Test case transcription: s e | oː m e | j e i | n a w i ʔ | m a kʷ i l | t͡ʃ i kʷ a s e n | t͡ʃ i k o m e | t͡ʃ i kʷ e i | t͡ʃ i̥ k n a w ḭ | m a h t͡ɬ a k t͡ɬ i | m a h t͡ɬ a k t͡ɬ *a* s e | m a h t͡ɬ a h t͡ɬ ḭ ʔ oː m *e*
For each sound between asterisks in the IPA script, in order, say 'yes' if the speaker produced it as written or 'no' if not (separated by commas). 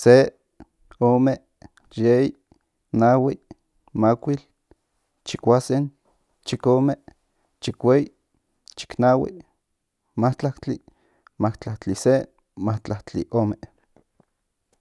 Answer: no, yes